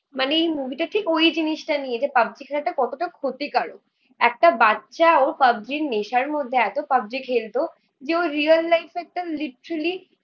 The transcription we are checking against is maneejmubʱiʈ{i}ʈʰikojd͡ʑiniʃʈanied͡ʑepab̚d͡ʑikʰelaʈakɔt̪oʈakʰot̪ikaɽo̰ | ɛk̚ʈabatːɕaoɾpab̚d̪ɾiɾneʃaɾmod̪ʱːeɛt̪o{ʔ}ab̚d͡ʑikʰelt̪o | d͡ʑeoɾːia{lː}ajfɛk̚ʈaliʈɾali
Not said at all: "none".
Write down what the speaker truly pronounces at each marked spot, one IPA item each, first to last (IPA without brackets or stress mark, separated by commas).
a, p, lː